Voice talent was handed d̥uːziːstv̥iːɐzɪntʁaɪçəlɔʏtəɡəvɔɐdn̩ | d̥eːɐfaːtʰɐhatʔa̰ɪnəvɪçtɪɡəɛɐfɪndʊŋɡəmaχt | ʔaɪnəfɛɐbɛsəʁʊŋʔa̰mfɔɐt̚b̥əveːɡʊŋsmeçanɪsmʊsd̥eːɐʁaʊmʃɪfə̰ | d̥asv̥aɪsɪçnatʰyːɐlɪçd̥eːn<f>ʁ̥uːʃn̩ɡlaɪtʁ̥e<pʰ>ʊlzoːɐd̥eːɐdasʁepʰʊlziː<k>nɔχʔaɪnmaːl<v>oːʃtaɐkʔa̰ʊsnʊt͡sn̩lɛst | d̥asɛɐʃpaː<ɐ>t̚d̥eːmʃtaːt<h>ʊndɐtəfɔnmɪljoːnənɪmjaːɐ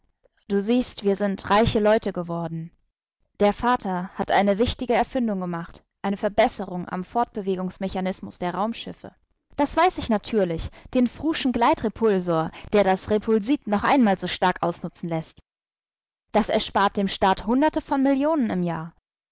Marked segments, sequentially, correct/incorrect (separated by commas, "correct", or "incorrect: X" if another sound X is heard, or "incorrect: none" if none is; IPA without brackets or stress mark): correct, correct, incorrect: t, incorrect: z, correct, correct